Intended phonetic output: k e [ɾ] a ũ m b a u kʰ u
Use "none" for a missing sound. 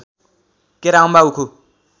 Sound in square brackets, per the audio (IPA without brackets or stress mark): ɾ